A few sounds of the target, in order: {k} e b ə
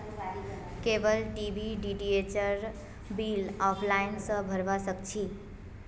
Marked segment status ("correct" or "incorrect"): correct